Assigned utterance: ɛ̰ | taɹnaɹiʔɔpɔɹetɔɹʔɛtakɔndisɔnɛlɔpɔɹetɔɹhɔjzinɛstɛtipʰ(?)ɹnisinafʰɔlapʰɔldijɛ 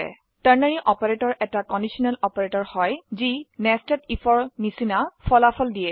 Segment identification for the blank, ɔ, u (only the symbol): ɔ